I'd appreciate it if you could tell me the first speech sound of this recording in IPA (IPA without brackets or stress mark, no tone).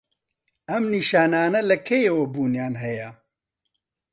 ɐ